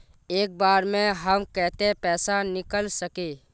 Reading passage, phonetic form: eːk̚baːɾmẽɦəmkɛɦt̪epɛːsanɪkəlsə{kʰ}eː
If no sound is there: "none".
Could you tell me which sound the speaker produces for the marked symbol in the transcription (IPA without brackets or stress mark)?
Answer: k